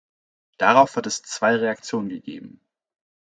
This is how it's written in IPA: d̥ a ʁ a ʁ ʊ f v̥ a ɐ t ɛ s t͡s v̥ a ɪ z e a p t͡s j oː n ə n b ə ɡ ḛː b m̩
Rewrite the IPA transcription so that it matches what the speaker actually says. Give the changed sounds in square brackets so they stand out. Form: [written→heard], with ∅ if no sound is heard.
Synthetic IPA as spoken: d̥ a ʁ a [ʁ→∅] ʊ f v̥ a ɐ t ɛ s t͡s v̥ a ɪ [z→ʁ] e a [p→k] t͡s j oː n ə n [b→ɡ] ə ɡ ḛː b m̩